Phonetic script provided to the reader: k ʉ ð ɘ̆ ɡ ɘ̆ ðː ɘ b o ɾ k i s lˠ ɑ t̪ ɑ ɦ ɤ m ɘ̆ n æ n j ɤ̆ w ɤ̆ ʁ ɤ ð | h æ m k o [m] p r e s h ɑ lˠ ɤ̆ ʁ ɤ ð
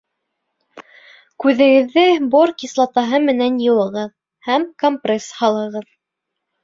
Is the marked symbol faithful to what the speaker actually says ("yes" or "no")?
yes